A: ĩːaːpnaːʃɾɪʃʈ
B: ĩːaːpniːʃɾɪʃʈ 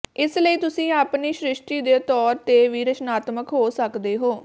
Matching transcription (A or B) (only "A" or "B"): B